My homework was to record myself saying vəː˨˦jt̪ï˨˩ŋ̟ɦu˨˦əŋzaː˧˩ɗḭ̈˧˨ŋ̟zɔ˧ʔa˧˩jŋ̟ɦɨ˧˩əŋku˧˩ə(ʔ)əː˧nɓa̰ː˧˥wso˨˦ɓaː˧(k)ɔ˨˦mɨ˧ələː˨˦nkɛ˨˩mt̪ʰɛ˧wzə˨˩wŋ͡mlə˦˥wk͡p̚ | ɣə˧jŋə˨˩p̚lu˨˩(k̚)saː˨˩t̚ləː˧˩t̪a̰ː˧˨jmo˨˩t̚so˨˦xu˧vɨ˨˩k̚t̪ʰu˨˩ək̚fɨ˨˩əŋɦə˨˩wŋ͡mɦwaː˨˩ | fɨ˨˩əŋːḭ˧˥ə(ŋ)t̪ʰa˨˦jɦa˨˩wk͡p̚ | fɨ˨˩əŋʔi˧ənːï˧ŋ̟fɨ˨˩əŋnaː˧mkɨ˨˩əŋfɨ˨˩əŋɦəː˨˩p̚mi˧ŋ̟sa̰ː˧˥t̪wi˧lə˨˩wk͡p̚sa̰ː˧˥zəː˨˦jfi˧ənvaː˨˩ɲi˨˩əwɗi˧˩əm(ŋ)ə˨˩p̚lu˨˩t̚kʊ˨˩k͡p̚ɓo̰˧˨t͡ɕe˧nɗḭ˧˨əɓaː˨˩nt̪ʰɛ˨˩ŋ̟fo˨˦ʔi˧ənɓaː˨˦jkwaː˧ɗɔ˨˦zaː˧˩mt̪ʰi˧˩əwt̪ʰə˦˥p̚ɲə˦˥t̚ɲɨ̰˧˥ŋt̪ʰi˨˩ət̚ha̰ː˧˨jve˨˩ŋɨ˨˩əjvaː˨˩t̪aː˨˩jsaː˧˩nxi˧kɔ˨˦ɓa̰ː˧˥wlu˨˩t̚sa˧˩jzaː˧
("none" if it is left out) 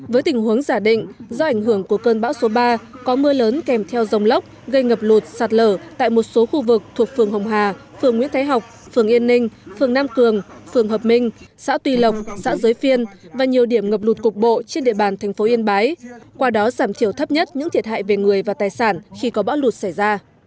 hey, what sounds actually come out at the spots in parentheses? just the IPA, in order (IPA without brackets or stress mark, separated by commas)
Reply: k, k, t̚, n, ŋ